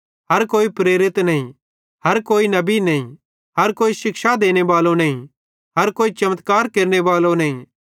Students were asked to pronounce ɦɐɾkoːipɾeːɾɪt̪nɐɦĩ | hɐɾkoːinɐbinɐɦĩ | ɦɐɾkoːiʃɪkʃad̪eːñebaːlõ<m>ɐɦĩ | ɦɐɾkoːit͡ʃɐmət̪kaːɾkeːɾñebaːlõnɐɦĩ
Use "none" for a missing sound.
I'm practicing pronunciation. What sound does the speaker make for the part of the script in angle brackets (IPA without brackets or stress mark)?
n